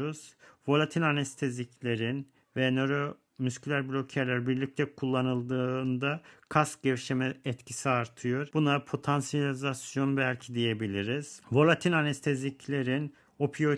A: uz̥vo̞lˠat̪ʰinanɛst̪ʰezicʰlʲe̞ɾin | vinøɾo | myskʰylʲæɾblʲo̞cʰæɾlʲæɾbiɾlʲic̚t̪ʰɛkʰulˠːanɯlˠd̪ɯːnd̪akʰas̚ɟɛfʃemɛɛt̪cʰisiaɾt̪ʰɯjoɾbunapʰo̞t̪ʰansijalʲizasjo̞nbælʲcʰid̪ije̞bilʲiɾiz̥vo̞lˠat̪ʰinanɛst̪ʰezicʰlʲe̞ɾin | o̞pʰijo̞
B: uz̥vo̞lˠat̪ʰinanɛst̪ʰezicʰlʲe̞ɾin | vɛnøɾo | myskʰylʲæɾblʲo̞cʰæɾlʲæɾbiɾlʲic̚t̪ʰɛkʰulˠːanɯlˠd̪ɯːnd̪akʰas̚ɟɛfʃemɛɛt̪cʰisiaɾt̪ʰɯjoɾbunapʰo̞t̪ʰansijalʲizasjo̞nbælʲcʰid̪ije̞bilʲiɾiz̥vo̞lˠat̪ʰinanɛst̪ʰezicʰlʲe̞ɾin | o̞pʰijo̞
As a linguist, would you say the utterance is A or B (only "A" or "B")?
B